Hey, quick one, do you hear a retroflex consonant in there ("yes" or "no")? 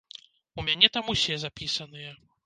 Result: no